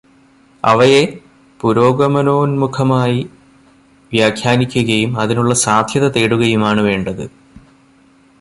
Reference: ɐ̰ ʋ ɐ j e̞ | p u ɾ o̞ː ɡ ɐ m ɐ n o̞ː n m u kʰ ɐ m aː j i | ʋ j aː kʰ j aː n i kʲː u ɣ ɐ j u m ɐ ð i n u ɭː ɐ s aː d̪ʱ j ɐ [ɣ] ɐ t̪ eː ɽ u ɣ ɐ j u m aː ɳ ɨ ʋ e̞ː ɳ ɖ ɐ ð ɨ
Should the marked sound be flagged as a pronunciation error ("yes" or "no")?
yes